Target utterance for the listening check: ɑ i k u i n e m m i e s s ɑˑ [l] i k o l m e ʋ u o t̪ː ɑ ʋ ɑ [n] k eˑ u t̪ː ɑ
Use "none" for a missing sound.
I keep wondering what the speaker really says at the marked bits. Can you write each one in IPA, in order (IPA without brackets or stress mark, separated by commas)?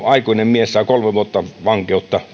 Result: none, ŋ